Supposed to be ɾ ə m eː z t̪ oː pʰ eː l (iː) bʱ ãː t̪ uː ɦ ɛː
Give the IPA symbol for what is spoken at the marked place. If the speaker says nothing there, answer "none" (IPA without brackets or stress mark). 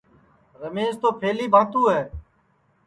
iː